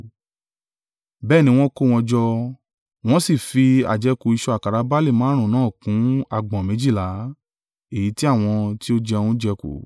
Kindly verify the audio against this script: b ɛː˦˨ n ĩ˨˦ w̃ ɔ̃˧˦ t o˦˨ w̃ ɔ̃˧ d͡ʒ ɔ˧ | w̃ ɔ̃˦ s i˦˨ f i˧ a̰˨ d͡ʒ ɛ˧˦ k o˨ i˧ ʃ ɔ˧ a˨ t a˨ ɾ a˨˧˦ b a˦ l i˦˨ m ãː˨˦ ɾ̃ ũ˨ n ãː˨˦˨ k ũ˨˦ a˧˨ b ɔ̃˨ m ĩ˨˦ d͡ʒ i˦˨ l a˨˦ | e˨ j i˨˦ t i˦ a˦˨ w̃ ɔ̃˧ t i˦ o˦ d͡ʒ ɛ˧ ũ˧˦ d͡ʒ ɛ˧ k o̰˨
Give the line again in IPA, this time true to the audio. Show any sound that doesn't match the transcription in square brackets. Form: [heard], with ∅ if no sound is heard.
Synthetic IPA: b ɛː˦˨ n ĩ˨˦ w̃ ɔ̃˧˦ [k] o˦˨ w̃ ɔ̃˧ d͡ʒ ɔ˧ | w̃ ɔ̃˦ s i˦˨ f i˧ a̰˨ d͡ʒ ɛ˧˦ k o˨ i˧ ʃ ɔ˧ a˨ [k] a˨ ɾ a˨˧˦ b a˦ l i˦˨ m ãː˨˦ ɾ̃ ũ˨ n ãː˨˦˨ k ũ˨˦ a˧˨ [ɡ͡b] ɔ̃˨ m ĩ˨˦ d͡ʒ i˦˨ l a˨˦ | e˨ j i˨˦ t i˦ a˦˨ w̃ ɔ̃˧ t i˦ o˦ d͡ʒ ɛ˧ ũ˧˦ d͡ʒ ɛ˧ k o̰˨